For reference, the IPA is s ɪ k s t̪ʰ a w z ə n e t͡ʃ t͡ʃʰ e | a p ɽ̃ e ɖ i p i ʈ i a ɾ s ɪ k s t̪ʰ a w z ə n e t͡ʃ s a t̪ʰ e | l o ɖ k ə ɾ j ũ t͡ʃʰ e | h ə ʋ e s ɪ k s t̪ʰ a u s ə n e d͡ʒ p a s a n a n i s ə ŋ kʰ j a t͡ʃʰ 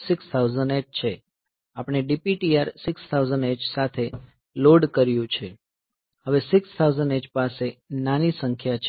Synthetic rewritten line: s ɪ k s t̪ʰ a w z ə n e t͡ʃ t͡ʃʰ e | a p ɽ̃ e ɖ i p i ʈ i a ɾ s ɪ k s t̪ʰ a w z ə n e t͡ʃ s a t̪ʰ e | l o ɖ k ə ɾ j ũ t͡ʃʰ e | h ə ʋ e s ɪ k s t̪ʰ a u z ə n e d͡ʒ p a s e n a n i s ə ŋ kʰ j a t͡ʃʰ